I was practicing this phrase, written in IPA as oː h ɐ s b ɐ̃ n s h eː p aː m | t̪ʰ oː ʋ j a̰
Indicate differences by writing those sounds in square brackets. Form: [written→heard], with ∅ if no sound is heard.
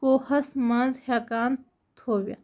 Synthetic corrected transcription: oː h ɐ s [b→m] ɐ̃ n [s→z] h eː [p→k] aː [m→n] | t̪ʰ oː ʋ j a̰